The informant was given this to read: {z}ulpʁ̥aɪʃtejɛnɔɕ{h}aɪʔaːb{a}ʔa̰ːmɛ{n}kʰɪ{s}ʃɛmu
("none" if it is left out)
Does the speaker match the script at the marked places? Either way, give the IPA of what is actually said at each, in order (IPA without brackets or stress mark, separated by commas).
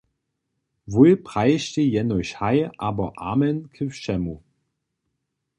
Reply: v, h, ɐ, n, f